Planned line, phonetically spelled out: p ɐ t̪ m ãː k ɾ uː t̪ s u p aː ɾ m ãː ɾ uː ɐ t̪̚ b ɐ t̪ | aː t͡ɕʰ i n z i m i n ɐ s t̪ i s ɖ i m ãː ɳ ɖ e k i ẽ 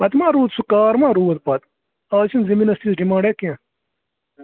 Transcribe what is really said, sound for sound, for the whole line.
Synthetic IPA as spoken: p ɐ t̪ m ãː ɾ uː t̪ s u k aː ɾ m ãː ɾ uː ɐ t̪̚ p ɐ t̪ | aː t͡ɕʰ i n z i m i n ɐ s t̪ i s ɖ i m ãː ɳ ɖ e k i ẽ